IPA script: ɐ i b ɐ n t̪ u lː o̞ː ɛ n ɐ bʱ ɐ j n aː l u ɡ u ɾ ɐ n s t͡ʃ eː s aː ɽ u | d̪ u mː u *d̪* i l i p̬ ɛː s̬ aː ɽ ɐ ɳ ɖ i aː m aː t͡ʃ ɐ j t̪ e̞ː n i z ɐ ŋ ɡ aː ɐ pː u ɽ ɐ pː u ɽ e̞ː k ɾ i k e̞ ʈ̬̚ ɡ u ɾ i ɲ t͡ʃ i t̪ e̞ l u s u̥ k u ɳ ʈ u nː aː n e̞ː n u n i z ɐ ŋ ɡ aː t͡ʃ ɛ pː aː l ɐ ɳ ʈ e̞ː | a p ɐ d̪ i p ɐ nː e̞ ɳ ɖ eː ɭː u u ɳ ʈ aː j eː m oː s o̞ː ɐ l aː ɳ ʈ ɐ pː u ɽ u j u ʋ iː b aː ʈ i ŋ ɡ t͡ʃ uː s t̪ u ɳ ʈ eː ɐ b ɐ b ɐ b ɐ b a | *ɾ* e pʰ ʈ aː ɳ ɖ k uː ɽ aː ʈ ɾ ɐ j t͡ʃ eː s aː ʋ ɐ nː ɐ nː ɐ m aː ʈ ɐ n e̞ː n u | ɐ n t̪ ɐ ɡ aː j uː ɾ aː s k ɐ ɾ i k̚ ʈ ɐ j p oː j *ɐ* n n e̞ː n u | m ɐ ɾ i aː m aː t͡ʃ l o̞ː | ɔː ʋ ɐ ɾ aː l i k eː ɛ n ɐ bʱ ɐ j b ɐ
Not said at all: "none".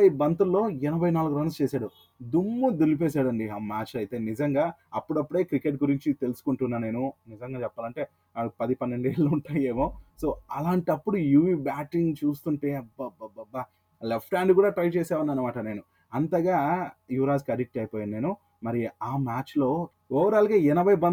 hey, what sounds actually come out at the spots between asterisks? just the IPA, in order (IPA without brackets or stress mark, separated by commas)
d̪, l, a